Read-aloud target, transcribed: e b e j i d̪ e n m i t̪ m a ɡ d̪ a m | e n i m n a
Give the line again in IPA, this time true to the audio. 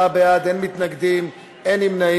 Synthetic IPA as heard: a b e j a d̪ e n m i t̪ n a ɡ d̪ i m | e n i m n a